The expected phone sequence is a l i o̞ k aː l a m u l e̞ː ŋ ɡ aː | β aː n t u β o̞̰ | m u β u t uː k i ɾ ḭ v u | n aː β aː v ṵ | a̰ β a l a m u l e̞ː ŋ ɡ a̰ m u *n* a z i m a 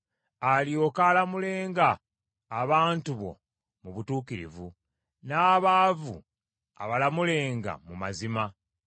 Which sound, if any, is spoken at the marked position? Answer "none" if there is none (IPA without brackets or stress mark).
m